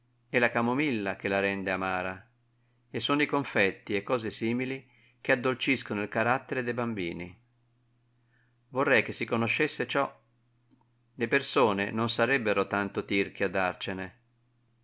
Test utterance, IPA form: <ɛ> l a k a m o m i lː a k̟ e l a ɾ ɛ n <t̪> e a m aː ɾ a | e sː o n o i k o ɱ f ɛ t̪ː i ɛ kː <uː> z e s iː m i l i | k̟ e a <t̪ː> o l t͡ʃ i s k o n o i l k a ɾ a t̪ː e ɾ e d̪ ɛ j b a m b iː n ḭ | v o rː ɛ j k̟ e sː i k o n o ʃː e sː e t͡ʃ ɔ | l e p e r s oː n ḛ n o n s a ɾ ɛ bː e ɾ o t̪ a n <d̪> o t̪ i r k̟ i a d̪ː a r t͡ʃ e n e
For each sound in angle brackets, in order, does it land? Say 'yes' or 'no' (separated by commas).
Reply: yes, no, no, no, no